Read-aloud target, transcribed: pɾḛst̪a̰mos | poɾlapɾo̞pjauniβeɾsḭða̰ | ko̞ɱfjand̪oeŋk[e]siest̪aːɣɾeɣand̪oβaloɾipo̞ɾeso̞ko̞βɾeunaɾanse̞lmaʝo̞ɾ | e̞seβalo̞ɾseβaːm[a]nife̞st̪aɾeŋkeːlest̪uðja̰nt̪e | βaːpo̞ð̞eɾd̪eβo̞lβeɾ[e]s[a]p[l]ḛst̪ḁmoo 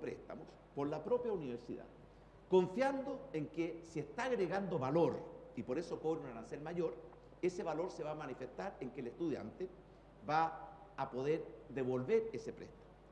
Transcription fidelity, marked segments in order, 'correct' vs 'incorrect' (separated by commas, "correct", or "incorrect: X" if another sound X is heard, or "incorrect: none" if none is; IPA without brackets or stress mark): correct, correct, correct, incorrect: e, incorrect: ɾ